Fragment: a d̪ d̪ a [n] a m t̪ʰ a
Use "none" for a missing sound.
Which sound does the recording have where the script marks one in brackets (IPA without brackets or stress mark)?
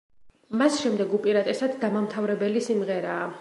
m